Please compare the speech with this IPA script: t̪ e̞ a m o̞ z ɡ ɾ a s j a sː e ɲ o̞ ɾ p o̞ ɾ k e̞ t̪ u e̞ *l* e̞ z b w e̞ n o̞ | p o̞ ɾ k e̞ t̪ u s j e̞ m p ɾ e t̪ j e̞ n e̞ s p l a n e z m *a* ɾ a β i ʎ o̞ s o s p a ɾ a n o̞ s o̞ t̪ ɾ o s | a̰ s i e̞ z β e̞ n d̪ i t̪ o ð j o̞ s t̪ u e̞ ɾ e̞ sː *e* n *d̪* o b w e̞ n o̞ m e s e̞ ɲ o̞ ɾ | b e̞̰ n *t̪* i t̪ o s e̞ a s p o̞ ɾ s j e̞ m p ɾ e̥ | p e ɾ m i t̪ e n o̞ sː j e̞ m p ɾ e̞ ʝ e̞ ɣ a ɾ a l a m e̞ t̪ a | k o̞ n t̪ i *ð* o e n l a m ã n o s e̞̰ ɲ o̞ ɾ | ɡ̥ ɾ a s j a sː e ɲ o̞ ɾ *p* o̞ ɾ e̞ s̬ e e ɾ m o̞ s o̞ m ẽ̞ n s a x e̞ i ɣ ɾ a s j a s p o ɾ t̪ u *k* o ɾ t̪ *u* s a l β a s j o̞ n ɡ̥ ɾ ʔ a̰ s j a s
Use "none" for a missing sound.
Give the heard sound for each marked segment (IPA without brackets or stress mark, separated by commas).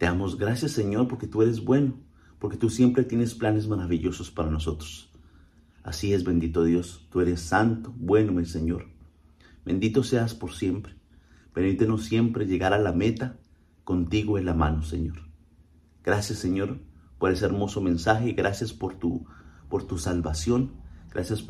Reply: ɾ, a, a, t̪, d̪, ɣ, p, p, u